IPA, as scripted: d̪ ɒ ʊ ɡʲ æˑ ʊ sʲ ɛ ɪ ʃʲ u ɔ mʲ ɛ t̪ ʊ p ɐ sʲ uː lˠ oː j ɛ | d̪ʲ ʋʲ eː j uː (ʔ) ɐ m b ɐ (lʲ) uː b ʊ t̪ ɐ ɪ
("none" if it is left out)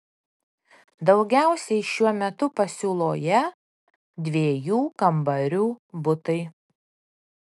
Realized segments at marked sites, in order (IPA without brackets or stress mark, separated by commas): k, ɾʲ